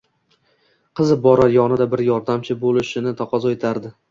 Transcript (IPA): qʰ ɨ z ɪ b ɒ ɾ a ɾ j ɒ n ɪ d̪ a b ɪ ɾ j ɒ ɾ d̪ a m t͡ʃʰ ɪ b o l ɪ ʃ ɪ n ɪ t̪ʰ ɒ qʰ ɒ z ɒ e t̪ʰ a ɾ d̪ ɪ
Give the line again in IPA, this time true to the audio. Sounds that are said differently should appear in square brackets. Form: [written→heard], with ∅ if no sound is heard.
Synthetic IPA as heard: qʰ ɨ z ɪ b ɒ ɾ a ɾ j ɒ n ɪ d̪ a b ɪ ɾ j ɒ ɾ d̪ a m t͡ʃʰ ɪ b o l ɪ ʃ ɪ n ɪ t̪ʰ ɒ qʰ ɒ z ɒ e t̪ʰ a ɾ d̪ ɪ